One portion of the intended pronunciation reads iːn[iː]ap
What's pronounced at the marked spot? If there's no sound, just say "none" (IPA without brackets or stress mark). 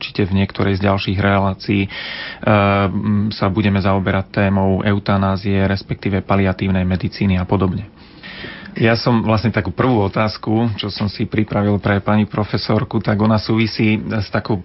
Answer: i